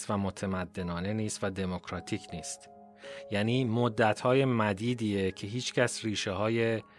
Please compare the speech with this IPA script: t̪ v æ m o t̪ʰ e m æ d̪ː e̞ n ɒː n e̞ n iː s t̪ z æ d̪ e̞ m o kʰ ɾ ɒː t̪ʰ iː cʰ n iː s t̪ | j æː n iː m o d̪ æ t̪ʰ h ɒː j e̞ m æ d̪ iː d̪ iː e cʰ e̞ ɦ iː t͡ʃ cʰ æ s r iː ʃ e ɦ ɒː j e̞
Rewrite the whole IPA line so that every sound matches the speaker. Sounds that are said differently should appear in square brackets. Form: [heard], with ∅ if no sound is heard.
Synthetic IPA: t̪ v æ m o t̪ʰ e m æ d̪ː e̞ n ɒː n e̞ n iː s t̪ [v] æ d̪ e̞ m o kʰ ɾ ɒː t̪ʰ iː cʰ n iː s t̪ | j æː n iː m o [d̪ː] æ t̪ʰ h ɒː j e̞ m æ d̪ iː d̪ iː e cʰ e̞ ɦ iː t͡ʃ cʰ æ s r iː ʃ e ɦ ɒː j e̞